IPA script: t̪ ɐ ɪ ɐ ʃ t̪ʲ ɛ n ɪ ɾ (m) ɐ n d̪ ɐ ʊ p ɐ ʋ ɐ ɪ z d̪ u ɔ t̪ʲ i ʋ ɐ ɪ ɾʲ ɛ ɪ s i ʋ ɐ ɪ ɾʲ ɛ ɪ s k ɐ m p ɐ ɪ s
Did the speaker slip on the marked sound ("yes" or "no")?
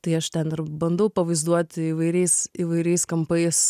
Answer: yes